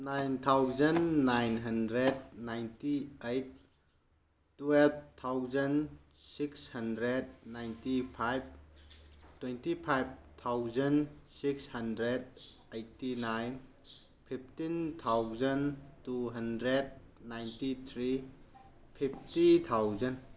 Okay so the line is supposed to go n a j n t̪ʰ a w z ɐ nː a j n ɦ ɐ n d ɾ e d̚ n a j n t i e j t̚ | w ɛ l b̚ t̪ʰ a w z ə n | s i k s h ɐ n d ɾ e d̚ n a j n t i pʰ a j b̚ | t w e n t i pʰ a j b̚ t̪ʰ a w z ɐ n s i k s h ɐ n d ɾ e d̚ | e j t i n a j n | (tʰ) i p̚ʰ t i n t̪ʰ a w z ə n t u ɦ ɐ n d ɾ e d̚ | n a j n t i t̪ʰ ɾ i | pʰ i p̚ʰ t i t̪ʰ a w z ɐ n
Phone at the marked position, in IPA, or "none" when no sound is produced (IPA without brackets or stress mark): pʰ